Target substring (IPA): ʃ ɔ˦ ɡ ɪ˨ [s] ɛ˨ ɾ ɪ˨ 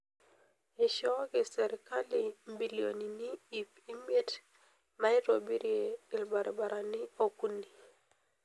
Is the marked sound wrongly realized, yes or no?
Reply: no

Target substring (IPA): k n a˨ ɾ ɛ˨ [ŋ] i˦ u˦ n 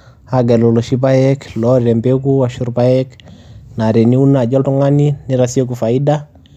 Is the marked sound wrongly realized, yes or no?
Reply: yes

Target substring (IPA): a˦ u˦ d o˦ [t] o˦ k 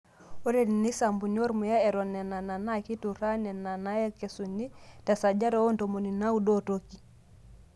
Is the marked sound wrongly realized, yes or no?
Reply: no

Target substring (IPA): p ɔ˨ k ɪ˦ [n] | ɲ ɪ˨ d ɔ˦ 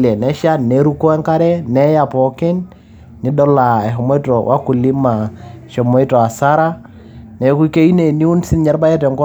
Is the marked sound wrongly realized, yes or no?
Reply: no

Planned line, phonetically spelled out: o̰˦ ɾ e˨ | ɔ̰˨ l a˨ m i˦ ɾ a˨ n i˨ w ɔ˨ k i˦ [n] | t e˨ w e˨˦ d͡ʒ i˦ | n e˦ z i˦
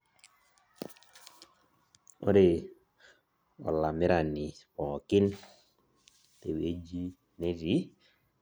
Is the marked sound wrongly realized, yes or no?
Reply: no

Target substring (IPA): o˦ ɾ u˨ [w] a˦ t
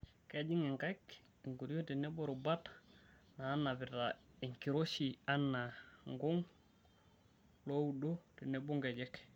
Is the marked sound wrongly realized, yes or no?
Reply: yes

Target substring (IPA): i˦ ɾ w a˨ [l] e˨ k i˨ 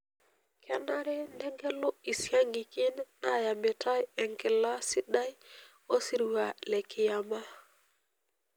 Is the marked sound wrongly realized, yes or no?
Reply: no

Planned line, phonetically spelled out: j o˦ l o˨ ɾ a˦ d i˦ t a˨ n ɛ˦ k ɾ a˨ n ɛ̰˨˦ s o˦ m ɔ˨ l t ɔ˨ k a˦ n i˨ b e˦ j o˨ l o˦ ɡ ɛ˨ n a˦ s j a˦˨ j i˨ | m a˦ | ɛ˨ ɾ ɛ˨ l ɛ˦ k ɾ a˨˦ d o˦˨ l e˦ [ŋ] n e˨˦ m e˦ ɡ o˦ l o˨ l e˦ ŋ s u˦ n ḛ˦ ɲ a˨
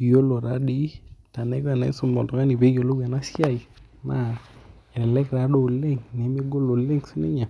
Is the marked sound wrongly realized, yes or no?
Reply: no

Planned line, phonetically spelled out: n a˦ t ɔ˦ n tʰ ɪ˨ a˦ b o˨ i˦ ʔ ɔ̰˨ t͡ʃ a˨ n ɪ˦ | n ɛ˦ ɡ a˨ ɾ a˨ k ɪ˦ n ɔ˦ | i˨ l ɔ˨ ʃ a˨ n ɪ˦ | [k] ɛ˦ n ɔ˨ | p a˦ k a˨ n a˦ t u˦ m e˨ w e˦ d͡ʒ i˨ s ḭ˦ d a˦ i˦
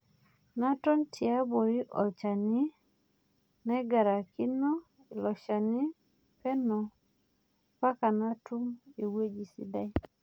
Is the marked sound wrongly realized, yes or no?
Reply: yes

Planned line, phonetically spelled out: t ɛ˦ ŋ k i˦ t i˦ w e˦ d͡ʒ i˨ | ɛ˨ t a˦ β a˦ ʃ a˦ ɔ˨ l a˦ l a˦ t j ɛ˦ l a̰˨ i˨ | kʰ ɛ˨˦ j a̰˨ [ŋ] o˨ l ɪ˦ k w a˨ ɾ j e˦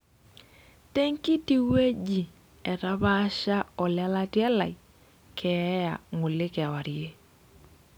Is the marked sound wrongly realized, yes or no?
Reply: no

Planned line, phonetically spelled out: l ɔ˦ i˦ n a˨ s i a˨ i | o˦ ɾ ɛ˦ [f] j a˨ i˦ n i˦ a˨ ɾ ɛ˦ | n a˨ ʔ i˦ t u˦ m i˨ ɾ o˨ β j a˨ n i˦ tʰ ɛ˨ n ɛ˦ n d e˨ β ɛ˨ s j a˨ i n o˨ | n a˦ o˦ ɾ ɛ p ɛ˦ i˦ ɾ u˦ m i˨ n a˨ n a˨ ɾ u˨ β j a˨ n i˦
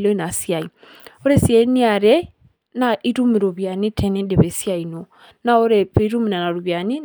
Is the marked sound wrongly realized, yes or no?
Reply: yes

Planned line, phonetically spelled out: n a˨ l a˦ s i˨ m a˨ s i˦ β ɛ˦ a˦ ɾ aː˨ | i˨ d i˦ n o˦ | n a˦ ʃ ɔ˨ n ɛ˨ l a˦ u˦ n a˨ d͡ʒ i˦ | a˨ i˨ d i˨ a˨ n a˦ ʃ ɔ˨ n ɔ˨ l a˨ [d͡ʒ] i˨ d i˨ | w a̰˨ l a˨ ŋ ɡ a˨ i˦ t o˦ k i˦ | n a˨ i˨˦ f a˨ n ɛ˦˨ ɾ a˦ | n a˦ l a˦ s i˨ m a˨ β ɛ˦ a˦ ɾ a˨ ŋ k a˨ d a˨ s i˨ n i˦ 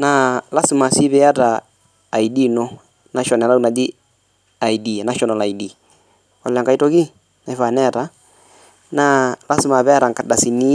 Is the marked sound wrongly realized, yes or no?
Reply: yes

